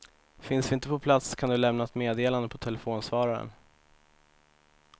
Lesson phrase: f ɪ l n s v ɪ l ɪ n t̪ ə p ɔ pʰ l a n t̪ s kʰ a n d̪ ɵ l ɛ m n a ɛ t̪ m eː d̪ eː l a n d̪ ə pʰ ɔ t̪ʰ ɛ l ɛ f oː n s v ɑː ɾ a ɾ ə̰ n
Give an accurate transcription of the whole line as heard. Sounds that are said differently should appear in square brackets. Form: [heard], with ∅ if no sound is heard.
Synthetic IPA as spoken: f ɪ [∅] n s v ɪ [∅] ɪ n t̪ ə p ɔ pʰ l a [∅] t̪ s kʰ a n d̪ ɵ l ɛ m n a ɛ t̪ m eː d̪ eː l a n d̪ ə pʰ ɔ t̪ʰ ɛ l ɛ f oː n s v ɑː ɾ a ɾ ə̰ n